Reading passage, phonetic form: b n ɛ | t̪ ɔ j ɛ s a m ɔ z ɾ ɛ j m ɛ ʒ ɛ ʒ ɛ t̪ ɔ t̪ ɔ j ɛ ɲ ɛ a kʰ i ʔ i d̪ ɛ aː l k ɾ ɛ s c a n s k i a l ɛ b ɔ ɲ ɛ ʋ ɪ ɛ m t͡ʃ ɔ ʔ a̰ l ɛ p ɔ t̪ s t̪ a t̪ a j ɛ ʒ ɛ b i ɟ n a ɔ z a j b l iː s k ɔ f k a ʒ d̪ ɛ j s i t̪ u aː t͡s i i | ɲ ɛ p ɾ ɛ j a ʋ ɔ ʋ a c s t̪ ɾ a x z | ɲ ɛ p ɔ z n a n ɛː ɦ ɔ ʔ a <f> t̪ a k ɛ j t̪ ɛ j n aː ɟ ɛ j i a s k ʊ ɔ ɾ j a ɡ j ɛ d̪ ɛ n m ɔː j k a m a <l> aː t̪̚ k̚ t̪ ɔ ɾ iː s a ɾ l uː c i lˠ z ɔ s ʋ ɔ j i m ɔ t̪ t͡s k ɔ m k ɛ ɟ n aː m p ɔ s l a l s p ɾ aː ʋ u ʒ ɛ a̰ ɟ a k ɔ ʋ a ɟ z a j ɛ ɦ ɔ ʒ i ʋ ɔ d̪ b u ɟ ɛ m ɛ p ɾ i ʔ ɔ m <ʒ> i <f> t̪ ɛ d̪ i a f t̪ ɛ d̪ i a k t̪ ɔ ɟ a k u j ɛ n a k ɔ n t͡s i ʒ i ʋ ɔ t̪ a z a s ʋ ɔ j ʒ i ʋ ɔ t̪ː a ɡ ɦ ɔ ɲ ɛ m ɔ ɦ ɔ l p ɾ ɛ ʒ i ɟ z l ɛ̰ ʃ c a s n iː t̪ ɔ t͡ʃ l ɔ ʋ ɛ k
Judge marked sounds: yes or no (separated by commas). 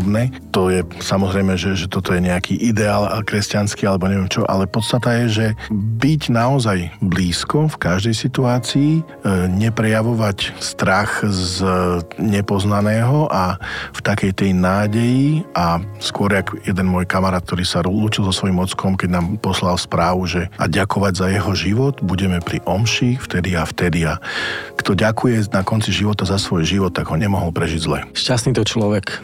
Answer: yes, no, no, yes